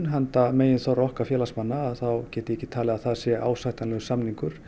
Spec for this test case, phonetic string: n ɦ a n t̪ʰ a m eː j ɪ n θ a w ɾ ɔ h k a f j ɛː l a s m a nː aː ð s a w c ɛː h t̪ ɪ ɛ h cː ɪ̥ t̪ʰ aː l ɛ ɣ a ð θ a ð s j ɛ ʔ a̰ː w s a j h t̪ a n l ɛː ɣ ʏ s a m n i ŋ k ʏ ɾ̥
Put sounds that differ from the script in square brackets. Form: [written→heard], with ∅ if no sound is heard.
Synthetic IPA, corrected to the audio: n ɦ a n [t̪ʰ→t̪] a m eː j ɪ n θ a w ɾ ɔ h k a f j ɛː l a s m a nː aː ð [s→θ] a w c ɛː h t̪ ɪ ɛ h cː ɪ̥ t̪ʰ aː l ɛ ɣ a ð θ a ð s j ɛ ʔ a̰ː w s a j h t̪ a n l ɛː ɣ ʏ s a m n i ŋ k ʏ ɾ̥